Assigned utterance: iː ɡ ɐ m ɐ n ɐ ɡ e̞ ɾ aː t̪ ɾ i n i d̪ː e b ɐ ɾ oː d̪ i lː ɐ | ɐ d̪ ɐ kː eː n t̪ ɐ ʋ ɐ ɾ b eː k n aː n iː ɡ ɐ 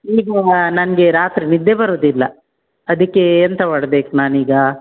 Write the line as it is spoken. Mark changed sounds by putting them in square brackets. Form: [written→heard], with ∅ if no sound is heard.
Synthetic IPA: iː ɡ ɐ [m→n] ɐ n ɐ ɡ e̞ ɾ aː t̪ ɾ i n i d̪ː e b ɐ ɾ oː d̪ i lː ɐ | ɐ d̪ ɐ kː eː n t̪ ɐ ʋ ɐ [ɾ→ɽ] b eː k n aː n iː ɡ ɐ